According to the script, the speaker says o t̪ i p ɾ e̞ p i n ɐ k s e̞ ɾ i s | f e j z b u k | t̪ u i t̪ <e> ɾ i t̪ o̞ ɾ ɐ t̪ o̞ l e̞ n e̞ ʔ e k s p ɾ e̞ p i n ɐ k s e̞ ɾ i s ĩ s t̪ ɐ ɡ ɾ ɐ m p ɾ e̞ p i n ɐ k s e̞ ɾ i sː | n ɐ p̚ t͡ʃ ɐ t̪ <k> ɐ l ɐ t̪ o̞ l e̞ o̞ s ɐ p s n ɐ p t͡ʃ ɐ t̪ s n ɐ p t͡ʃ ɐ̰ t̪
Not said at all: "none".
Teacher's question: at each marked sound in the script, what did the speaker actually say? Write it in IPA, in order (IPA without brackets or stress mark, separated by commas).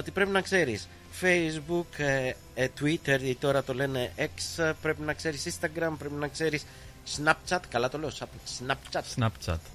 e, k